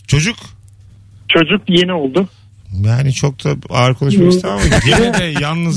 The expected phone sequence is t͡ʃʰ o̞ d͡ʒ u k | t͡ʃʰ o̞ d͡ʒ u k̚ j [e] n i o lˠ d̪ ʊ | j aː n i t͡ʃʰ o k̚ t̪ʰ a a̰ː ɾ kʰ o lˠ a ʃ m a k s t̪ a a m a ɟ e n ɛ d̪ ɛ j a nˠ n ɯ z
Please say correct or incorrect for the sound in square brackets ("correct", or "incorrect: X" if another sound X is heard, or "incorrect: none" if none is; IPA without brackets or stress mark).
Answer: correct